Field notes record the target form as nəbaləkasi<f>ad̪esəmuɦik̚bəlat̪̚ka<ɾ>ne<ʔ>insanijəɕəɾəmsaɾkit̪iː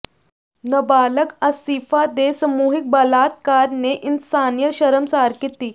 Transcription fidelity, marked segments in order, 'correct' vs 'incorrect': correct, correct, correct

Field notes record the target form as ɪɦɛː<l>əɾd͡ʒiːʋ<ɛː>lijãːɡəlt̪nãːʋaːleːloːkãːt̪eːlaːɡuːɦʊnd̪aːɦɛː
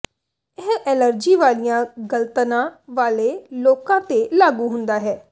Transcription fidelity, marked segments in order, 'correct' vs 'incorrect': correct, incorrect

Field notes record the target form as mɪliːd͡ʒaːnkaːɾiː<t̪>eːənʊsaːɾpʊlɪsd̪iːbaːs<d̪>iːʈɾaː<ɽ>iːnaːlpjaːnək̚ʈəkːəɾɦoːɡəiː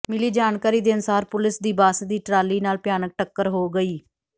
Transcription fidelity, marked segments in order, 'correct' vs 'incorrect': incorrect, correct, incorrect

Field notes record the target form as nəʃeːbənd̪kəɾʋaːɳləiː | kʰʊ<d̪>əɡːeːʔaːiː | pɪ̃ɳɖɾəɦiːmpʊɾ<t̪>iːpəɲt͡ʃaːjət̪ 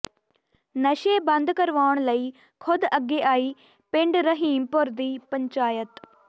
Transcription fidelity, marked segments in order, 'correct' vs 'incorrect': correct, incorrect

